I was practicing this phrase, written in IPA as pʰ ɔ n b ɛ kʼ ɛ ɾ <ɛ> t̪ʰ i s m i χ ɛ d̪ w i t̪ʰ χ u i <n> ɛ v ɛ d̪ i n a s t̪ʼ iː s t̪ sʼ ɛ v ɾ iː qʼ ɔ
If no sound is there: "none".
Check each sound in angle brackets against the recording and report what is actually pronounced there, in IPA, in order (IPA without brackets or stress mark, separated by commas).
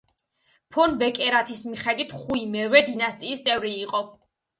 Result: a, m